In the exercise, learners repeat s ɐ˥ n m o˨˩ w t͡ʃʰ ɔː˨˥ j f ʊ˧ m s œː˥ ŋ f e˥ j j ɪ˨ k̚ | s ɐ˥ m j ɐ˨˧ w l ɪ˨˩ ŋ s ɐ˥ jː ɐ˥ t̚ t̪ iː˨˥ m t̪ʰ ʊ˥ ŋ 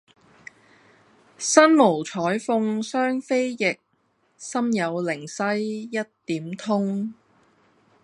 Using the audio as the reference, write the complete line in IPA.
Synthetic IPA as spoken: s ɐ˥ n m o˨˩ w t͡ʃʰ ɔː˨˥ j f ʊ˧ ŋ s œː˥ ŋ f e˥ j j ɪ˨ k̚ | s ɐ˥ m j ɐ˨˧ w l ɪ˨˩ ŋ s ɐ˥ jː ɐ˥ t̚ t̪ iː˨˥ m t̪ʰ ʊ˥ ŋ